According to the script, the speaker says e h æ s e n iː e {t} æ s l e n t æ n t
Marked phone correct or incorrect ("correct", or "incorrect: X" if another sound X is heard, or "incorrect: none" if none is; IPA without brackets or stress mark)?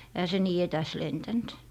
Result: correct